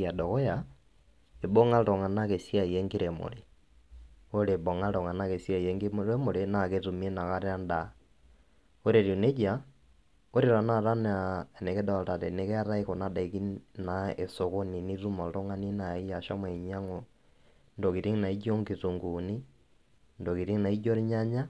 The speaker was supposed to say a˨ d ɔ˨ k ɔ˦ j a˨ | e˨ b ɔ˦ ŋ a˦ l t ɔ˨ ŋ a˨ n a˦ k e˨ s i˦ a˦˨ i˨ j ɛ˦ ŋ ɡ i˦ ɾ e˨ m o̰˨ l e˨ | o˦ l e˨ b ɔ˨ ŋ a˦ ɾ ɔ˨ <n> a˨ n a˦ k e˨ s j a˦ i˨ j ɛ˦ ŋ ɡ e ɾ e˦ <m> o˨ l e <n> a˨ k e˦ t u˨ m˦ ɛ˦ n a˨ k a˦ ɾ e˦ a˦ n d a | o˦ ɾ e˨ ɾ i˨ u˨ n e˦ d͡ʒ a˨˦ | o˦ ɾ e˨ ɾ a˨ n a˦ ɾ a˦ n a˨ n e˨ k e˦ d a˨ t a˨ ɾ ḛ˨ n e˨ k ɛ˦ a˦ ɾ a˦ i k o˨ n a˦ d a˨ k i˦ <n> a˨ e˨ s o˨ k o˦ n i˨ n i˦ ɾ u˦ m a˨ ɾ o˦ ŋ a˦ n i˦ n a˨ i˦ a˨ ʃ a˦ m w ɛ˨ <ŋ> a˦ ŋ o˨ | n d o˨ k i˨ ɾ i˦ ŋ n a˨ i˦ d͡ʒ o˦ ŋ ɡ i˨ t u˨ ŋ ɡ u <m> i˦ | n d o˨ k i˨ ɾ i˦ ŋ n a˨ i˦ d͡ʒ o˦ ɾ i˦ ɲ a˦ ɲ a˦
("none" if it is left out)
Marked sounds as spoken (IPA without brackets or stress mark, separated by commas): ŋ, m, n, n, ɲ, n